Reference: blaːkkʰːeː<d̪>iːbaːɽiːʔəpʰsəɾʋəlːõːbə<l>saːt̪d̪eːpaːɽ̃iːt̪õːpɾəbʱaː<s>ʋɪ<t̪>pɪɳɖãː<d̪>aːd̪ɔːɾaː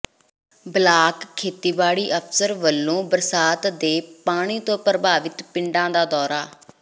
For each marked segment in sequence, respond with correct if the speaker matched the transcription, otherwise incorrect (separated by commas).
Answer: incorrect, incorrect, incorrect, correct, correct